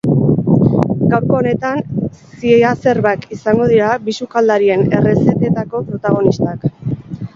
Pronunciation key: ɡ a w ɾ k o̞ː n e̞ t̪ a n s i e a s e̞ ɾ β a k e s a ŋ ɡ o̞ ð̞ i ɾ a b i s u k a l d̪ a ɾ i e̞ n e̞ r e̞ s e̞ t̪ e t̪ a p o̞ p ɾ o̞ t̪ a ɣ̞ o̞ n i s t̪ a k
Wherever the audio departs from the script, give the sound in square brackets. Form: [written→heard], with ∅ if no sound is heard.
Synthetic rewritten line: ɡ a w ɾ k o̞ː n e̞ t̪ a n s i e a s e̞ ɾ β a k [e→i] s a ŋ ɡ o̞ ð̞ i ɾ a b i s u k a l d̪ a ɾ i e̞ n e̞ r e̞ s e̞ t̪ e t̪ a [p→k] o̞ p ɾ o̞ t̪ a ɣ̞ o̞ n i s t̪ a k